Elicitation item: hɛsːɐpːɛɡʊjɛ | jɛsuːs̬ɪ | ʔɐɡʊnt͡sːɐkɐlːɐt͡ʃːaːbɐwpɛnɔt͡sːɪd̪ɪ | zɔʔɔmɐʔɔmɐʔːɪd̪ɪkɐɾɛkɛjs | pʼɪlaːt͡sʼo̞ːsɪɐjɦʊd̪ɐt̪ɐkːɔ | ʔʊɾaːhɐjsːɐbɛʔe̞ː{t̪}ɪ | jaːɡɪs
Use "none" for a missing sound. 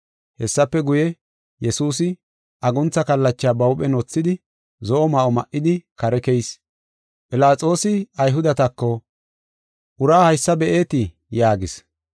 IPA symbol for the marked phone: t̪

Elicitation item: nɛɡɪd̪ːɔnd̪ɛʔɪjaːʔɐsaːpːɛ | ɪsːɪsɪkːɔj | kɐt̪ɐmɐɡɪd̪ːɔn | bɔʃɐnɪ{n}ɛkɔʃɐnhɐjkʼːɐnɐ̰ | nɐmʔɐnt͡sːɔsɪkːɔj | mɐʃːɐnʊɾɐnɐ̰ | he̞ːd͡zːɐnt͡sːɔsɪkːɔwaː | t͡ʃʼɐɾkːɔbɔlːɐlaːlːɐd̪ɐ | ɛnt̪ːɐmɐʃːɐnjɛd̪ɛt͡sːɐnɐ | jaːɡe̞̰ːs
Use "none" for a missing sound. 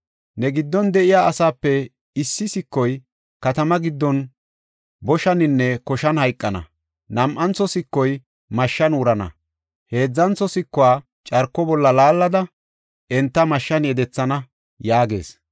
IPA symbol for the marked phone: nː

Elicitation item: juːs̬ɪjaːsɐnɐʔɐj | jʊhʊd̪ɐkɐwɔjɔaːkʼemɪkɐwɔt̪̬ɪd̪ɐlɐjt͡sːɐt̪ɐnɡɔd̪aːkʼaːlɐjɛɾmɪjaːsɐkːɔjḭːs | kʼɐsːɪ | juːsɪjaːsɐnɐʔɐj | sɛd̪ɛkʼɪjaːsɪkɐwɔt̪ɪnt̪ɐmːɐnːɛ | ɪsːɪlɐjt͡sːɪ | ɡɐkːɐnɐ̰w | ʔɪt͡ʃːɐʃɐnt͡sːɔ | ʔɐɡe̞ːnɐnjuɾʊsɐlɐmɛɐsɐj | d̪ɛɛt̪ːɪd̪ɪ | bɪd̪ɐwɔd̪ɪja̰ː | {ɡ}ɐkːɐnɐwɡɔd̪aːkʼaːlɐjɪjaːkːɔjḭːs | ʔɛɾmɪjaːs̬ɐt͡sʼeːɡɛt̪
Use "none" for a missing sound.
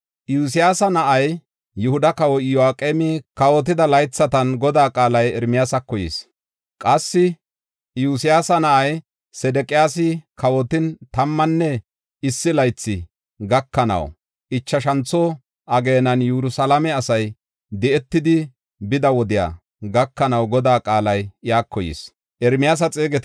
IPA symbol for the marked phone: ɡ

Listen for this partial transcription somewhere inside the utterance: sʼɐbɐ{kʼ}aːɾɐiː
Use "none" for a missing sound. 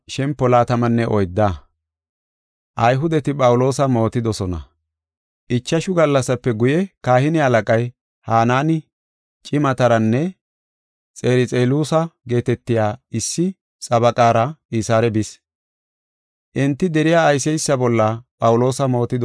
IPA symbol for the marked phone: kʼ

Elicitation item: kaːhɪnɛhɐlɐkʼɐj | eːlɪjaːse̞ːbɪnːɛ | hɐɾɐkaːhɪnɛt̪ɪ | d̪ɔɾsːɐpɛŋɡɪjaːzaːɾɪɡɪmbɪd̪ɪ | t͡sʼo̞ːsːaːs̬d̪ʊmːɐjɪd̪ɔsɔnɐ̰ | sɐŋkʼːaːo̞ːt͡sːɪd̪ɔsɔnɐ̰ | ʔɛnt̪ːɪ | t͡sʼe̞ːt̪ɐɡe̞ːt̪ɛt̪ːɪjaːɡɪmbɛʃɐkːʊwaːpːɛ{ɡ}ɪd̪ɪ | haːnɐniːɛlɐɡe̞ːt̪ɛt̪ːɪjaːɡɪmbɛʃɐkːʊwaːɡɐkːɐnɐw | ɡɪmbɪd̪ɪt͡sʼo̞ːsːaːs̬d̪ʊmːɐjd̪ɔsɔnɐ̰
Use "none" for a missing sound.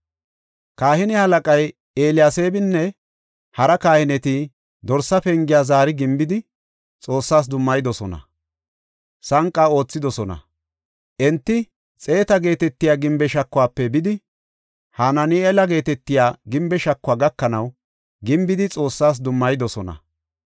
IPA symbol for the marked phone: b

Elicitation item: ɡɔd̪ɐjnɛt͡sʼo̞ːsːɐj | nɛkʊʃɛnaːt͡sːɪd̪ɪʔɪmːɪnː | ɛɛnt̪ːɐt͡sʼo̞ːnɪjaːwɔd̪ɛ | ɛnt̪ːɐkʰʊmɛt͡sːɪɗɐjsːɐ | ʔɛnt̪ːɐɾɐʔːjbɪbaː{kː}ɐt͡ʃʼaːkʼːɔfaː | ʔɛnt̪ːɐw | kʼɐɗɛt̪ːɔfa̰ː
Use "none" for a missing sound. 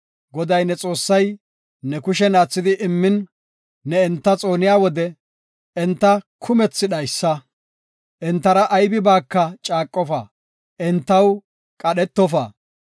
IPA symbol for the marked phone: kː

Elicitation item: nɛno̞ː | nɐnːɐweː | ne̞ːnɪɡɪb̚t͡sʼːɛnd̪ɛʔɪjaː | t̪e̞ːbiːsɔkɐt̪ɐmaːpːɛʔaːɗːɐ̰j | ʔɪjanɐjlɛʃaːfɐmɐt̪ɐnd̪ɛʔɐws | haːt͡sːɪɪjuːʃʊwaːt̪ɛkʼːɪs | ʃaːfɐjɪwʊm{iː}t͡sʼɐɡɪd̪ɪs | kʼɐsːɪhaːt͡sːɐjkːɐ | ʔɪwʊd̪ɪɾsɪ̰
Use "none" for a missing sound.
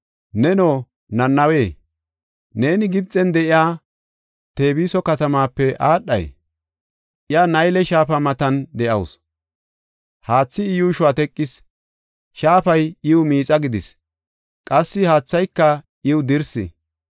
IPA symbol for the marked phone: iː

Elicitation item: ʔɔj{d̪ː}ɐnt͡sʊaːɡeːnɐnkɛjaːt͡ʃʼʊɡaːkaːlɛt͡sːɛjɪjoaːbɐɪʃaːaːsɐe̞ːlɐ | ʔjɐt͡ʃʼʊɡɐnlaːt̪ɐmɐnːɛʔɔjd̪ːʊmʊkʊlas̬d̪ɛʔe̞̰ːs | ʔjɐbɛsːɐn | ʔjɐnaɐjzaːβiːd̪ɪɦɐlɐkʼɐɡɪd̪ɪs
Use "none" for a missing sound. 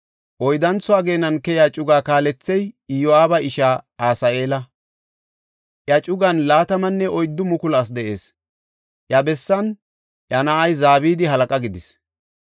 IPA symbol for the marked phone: d̪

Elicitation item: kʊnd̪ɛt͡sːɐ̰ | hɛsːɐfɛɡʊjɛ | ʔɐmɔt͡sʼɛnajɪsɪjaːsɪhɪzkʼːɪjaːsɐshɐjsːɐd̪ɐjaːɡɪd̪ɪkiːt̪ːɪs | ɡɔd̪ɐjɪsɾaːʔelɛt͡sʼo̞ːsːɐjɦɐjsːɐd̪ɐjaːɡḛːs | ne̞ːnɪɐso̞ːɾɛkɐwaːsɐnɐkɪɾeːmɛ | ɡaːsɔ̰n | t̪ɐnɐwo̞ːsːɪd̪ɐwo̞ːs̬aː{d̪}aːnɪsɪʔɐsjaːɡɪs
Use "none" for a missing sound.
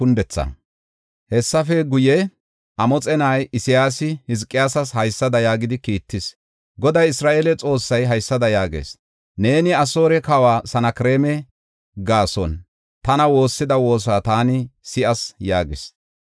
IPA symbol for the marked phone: t̪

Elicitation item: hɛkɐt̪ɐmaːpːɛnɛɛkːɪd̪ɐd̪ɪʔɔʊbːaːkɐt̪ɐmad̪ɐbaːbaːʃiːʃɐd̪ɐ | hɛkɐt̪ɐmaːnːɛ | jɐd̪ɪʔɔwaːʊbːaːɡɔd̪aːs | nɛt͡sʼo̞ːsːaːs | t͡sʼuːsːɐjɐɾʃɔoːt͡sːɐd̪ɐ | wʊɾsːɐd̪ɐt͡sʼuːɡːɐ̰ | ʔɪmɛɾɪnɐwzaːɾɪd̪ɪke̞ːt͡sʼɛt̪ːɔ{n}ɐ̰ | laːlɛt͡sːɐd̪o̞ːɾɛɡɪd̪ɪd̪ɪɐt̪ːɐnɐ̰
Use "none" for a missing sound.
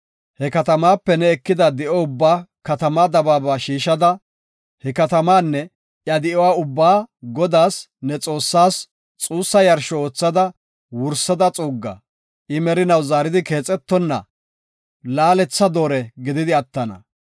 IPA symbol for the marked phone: nː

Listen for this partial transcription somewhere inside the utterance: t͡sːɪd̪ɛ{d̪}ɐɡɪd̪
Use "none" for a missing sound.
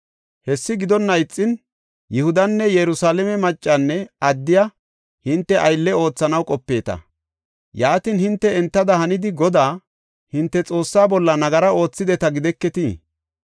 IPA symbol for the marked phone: t̪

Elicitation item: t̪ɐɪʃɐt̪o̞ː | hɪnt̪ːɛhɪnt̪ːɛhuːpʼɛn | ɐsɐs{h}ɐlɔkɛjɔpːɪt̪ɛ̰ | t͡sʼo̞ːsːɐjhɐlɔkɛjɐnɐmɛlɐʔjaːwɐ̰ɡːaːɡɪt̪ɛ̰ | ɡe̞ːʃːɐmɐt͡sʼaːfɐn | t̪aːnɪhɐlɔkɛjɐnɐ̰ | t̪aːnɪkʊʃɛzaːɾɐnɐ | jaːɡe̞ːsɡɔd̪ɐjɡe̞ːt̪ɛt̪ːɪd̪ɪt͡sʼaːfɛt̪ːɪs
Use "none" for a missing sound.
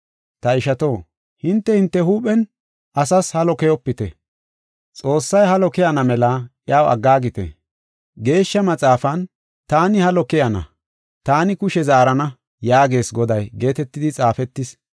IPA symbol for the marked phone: h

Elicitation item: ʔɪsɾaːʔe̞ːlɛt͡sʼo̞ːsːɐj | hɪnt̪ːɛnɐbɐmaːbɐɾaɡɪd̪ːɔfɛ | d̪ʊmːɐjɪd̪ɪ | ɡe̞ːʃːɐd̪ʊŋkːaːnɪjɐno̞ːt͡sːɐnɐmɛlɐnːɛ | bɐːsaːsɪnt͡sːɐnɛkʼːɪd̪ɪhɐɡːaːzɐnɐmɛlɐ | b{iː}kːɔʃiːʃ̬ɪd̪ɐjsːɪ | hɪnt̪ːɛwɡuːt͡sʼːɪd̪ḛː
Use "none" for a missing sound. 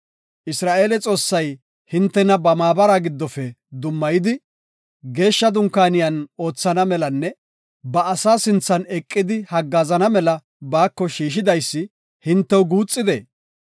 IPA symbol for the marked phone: aː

